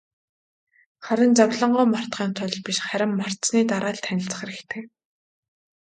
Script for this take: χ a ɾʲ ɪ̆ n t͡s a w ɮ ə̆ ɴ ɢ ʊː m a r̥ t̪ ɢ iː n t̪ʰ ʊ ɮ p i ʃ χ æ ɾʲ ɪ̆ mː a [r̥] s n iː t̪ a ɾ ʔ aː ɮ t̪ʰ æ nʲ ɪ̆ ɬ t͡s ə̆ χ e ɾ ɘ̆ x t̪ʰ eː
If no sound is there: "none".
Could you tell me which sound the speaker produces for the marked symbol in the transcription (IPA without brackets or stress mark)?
r̥